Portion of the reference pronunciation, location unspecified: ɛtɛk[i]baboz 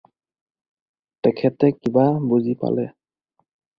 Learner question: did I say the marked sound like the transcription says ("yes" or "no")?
yes